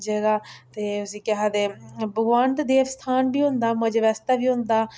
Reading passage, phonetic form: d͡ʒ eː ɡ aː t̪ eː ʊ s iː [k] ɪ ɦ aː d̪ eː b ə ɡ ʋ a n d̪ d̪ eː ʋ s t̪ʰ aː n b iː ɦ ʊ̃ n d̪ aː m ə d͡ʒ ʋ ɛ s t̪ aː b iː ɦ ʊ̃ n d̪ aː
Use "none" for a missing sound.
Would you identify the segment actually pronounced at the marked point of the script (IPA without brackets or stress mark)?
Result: k